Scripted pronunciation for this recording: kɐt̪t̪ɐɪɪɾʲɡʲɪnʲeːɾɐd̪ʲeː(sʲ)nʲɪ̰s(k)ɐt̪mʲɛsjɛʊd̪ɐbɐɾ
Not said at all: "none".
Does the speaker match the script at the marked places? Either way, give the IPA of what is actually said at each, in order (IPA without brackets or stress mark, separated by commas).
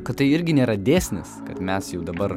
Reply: sʲ, k